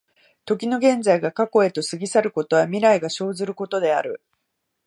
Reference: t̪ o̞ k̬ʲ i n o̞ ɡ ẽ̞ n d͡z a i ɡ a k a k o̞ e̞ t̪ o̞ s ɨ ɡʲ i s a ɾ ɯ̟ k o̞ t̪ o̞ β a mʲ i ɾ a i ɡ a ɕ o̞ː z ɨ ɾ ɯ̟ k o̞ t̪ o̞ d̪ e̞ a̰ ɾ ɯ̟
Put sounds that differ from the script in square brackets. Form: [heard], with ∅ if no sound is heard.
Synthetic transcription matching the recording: t̪ o̞ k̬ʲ i n o̞ ɡ ẽ̞ n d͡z a i ɡ a k a k o̞ e̞ t̪ o̞ s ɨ ɡʲ i s a ɾ ɯ̟ k o̞ t̪ o̞ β a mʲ i ɾ a i ɡ a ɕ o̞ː z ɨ ɾ ɯ̟ k o̞ t̪ o̞ d̪ e̞ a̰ ɾ ɯ̟